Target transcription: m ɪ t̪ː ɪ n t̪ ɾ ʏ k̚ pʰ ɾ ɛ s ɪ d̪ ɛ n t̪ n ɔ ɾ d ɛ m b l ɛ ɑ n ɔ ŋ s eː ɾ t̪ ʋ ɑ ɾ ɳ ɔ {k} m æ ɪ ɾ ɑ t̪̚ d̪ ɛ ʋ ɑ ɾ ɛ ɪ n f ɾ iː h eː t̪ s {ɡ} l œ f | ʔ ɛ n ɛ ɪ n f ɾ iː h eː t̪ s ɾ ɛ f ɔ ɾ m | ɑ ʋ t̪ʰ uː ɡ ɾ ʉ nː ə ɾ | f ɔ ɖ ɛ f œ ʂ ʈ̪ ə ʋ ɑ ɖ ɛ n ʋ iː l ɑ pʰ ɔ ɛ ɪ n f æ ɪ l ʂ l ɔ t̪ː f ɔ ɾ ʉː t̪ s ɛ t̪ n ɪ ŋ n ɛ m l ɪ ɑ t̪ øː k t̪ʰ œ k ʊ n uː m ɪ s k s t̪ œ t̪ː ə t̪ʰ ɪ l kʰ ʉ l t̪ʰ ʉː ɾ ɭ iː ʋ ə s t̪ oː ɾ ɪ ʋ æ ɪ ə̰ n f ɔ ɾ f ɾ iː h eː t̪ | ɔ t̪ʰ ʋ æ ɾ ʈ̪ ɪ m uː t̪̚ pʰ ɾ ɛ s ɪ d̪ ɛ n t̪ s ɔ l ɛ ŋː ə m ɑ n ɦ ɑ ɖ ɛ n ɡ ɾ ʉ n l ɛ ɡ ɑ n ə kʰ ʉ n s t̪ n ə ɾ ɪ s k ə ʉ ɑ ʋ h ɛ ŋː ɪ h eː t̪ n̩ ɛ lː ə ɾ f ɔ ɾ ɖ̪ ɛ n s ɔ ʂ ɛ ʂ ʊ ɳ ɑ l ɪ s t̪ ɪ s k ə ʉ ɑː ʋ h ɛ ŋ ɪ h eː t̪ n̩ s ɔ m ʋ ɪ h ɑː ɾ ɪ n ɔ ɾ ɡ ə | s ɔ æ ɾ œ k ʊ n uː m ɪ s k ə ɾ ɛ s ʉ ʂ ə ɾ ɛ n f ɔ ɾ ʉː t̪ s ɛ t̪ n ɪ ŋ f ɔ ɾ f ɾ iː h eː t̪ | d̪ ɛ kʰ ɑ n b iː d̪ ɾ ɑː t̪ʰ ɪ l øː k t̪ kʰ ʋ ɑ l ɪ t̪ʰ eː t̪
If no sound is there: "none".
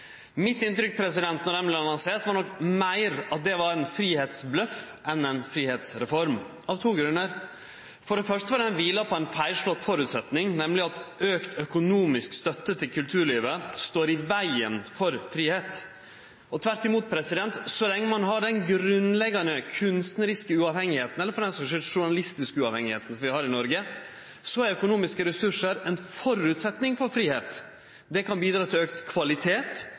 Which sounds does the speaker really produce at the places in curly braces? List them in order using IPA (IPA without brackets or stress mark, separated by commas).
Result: k, b